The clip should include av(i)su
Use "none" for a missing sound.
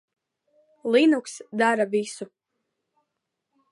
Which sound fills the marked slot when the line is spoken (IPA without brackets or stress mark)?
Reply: i